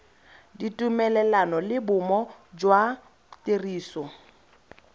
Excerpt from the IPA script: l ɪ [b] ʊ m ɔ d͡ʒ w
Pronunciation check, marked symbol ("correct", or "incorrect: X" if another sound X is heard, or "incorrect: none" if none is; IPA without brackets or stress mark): correct